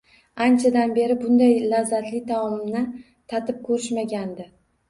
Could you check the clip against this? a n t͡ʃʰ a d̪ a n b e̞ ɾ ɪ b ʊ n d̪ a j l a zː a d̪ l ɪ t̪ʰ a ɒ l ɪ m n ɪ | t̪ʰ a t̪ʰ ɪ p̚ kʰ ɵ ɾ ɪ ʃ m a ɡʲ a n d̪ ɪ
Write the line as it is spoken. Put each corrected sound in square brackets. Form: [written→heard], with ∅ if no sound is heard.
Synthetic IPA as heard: a n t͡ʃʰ a d̪ a n b e̞ ɾ ɪ b ʊ n d̪ a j l a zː a [d̪→t̪] l ɪ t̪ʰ a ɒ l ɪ m n ɪ | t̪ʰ a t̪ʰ ɪ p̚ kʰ ɵ ɾ ɪ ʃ m a ɡʲ a n d̪ ɪ